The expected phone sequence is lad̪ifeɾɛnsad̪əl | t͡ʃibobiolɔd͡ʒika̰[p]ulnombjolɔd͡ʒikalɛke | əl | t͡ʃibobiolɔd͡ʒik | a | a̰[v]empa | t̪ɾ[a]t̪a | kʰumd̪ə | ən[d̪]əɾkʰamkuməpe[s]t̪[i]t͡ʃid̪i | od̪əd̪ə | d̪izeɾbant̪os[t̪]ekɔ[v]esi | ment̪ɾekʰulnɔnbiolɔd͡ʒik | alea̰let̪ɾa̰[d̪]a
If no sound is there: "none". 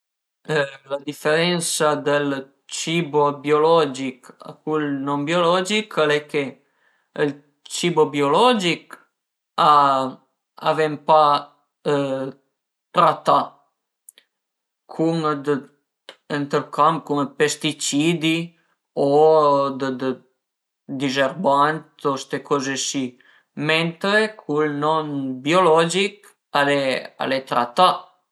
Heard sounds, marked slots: k, v, a, t̪, s, i, t̪, z, t̪

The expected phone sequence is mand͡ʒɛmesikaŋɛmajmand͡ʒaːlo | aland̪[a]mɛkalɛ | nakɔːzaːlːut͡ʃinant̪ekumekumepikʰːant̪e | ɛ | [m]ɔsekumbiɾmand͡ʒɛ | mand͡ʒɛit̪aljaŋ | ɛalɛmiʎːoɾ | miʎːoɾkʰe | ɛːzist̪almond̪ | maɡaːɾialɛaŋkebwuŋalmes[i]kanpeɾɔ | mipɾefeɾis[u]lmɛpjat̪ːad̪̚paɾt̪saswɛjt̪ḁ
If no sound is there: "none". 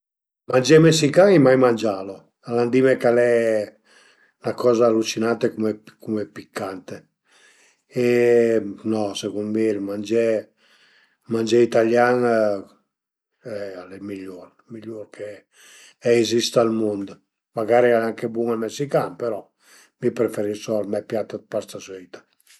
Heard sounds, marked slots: i, n, i, ɔ

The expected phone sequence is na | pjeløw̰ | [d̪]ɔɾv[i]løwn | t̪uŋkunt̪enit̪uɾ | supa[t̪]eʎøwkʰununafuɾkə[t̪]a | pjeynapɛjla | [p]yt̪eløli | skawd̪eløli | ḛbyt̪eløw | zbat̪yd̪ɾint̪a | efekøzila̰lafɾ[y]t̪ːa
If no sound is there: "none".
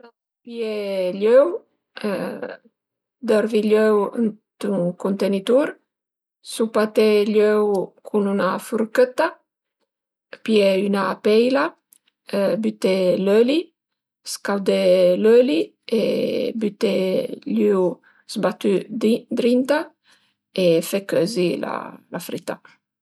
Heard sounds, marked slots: d̪, i, t̪, t̪, b, i

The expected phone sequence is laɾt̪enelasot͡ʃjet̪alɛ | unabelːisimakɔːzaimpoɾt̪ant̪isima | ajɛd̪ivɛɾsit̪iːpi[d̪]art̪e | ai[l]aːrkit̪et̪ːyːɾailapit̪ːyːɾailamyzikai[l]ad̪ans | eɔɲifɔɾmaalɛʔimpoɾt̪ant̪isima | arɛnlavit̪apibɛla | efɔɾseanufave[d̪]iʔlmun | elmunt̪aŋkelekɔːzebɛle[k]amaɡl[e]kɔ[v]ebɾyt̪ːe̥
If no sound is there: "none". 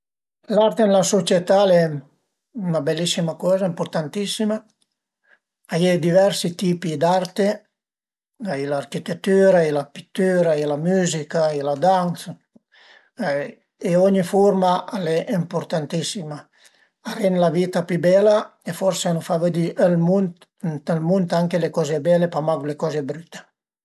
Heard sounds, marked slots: d̪, l, l, d̪, p, e, z

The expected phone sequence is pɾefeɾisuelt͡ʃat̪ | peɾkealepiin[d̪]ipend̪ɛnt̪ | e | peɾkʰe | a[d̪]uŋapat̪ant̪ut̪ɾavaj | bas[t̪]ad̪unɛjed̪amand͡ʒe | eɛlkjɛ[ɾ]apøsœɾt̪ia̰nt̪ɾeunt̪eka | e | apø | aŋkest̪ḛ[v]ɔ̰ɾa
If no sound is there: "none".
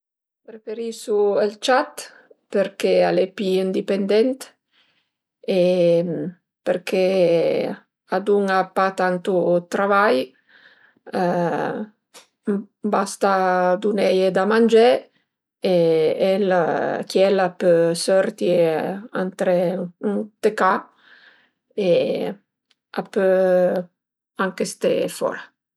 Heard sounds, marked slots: d̪, d̪, t̪, l, f

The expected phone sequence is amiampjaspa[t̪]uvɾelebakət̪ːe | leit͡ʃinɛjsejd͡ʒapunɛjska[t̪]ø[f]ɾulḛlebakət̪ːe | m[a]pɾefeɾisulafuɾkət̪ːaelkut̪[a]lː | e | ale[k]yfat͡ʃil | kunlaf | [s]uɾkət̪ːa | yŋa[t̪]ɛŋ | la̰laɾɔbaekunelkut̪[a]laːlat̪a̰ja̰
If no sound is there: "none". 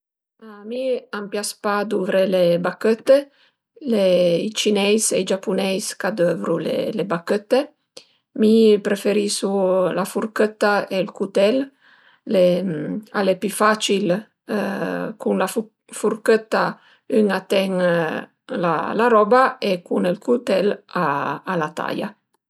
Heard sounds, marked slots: d̪, d̪, v, i, ɛ, p, f, t̪, ɛ

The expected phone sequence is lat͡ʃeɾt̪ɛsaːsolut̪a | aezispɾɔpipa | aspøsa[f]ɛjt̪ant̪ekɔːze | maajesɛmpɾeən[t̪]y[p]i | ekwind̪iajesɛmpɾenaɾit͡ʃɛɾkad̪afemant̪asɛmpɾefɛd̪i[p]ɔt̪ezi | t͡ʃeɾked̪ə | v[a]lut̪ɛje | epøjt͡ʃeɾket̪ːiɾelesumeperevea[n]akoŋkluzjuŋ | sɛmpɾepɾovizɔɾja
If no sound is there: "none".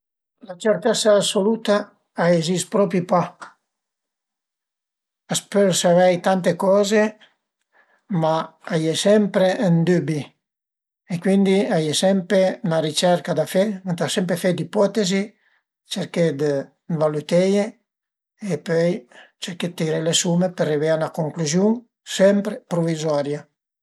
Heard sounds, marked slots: v, d̪, b, p, a, n

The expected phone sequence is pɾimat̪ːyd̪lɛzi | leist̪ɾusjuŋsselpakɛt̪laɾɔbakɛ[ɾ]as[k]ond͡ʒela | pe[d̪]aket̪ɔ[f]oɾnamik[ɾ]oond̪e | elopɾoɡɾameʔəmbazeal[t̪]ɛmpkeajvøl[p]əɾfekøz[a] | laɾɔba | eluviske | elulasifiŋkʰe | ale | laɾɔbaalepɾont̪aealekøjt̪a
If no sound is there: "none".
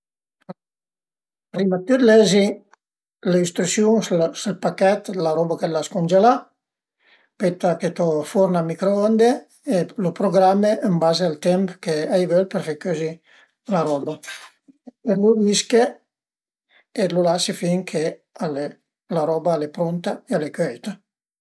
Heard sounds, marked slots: l, k, t̪, f, ɾ, t̪, p, i

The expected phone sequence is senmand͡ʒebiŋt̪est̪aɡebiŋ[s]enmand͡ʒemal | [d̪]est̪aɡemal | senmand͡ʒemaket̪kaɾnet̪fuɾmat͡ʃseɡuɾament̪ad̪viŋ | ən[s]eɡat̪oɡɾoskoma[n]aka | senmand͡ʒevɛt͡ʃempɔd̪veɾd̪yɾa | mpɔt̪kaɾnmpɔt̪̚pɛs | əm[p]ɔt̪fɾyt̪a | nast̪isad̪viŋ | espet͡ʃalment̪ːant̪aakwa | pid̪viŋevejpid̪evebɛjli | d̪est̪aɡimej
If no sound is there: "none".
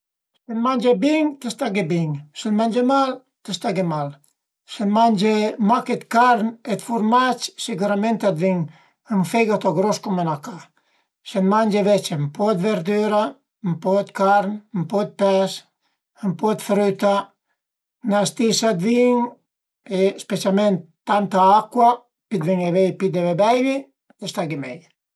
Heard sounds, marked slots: s, t̪, f, n, p

